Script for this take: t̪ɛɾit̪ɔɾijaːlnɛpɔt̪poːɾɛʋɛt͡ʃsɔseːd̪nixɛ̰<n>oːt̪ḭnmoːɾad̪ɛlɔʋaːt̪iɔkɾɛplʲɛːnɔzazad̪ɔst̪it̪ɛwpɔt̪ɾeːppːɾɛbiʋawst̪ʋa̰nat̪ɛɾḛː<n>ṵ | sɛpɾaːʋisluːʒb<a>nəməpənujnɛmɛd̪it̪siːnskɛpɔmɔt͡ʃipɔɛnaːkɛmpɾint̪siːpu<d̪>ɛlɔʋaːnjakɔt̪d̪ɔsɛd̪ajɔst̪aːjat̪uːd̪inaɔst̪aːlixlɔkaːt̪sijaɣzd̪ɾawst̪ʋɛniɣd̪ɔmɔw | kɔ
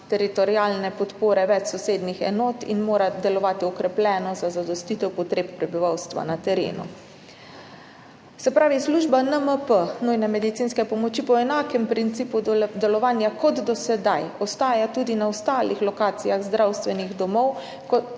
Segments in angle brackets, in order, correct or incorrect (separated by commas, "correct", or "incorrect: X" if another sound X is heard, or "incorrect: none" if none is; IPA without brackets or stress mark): correct, correct, correct, correct